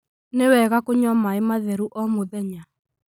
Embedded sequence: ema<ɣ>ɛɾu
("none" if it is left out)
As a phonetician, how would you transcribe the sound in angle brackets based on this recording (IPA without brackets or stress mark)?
ð